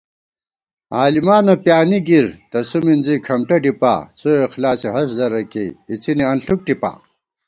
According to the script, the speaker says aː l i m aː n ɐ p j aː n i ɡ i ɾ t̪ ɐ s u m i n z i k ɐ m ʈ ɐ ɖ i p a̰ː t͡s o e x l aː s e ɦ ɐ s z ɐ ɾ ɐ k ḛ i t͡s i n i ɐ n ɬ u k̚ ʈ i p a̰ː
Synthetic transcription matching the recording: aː l i m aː n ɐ p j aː n i ɡ i ɾ t̪ ɐ s u m i n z i kʰ ɐ m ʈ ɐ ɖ i p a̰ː t͡s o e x l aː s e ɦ ɐ s z ɐ ɾ ɐ k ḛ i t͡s i n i ɐ n ɬ u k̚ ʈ i p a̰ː